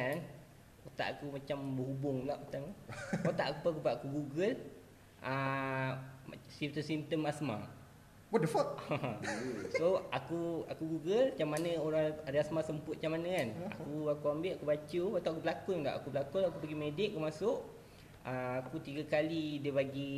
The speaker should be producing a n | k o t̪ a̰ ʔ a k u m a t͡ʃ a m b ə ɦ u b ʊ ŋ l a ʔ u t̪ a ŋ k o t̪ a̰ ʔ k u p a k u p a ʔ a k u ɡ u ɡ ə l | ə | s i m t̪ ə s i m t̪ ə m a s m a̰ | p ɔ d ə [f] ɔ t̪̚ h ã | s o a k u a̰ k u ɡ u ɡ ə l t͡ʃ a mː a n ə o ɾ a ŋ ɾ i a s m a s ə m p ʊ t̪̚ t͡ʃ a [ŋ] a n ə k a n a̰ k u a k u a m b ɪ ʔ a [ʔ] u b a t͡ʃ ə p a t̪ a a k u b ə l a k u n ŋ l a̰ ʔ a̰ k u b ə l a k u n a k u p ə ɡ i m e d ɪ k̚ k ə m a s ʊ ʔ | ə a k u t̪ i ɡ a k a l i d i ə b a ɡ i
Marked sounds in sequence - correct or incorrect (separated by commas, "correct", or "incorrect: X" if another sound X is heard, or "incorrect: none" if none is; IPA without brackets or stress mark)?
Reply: correct, incorrect: m, incorrect: k